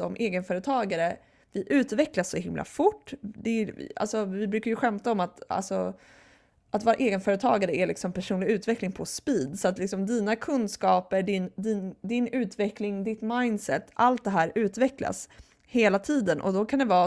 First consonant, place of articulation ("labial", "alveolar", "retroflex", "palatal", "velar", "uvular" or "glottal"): labial